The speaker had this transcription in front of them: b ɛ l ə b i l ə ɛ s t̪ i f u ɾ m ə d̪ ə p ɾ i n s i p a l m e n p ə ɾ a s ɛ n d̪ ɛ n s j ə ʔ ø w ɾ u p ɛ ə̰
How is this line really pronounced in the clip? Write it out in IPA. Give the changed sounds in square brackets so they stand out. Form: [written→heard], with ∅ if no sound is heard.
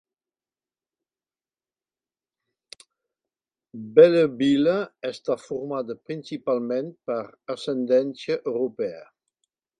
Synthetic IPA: b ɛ l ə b i l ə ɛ s t̪ [i→a] f u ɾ m [ə→a] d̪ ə p ɾ i n s i p a l m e n p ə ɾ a s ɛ n d̪ ɛ n s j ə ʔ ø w ɾ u p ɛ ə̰